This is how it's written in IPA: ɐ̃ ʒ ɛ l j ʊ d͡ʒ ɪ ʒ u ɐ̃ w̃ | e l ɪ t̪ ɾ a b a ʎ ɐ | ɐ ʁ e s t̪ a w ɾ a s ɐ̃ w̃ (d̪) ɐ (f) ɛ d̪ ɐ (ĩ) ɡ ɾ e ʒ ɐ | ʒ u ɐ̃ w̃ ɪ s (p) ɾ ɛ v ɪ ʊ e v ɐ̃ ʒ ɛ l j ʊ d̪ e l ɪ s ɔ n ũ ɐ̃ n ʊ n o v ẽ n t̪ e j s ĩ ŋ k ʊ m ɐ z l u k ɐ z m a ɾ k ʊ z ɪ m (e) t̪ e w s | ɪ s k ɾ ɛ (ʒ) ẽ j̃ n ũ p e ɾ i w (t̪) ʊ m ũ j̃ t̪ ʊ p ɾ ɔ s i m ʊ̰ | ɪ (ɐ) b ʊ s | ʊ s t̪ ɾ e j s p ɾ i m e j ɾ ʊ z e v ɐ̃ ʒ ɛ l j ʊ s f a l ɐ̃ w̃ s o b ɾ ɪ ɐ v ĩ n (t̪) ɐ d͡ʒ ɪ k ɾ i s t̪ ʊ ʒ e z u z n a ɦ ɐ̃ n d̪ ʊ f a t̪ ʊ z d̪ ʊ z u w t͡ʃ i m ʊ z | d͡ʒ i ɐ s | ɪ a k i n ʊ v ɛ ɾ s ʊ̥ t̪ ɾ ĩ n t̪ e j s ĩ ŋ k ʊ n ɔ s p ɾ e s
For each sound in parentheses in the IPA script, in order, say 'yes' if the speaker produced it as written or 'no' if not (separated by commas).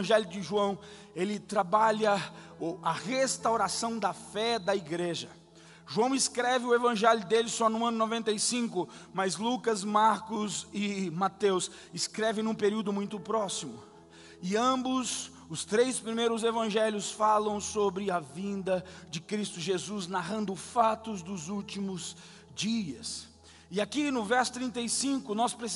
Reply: yes, yes, no, no, no, no, no, no, no